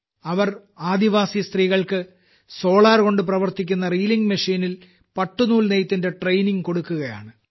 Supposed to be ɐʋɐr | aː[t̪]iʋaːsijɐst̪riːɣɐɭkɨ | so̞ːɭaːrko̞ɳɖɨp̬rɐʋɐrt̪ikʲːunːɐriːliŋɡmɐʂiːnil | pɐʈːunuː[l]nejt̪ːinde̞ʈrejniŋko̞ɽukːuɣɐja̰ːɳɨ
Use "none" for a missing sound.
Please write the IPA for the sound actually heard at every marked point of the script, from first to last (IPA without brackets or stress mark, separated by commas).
d̪, l